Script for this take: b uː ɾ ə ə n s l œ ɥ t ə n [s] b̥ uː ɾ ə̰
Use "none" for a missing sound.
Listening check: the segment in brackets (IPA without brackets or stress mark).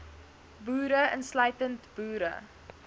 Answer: t